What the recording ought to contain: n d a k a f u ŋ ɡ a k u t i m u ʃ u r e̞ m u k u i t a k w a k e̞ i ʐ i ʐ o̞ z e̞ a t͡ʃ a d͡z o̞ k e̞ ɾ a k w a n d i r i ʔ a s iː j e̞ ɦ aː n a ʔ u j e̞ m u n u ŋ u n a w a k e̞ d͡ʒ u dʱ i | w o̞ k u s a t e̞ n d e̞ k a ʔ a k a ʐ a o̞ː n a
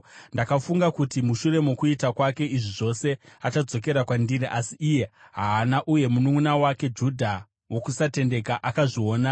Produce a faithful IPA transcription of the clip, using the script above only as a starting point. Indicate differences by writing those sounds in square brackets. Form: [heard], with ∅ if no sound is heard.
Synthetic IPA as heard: n d a k a f u ŋ ɡ a k u t i m u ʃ u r e̞ m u k u i t a k w a k e̞ i ʐ i ʐ o̞ [s] e̞ a t͡ʃ a d͡z o̞ k e̞ ɾ a k w a n d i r i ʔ a s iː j e̞ ɦ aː n a ʔ u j e̞ m u n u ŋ u n a w a k e̞ d͡ʒ u dʱ [a] | w o̞ k u s a t e̞ n d e̞ k a ʔ a k a ʐ [i] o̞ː n a